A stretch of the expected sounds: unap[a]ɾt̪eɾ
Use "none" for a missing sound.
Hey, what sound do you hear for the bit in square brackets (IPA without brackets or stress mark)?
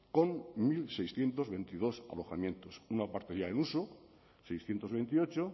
a